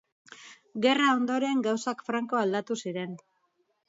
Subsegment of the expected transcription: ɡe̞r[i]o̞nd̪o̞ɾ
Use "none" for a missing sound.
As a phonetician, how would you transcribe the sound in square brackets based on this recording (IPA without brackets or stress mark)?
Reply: a